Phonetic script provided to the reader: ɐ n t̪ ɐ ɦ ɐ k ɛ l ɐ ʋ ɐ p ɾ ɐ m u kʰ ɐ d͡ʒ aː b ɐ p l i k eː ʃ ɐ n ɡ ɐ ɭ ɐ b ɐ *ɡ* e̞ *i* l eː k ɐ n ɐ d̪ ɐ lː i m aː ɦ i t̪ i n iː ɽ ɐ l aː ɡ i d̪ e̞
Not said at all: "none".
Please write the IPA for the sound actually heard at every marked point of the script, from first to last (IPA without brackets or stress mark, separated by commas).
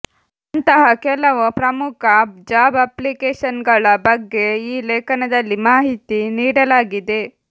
ɡː, iː